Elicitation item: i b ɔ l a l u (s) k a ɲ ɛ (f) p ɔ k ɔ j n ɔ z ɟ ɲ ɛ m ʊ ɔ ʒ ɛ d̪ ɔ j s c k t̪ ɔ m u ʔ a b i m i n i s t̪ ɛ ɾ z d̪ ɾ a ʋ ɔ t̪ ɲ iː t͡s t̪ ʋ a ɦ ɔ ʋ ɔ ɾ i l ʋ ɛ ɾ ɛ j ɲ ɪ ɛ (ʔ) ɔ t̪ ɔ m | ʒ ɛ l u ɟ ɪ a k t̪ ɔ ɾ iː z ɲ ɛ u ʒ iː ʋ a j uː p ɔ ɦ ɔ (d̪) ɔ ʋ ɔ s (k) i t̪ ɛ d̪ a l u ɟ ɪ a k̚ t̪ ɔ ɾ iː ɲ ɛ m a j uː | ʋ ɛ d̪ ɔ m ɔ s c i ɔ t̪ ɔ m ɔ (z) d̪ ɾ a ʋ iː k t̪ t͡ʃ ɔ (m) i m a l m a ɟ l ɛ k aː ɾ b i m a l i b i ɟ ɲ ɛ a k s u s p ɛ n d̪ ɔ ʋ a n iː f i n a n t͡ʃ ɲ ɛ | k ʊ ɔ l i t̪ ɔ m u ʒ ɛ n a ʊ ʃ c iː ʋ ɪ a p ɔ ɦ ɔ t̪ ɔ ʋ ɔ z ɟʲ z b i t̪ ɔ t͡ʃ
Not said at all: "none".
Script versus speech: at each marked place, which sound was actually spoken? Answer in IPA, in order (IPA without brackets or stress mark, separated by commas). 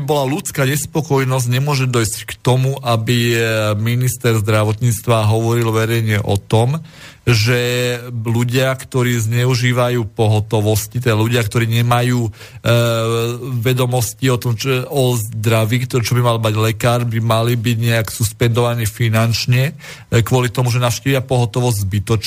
t͡s, s, ʔ, t̪, c, z, b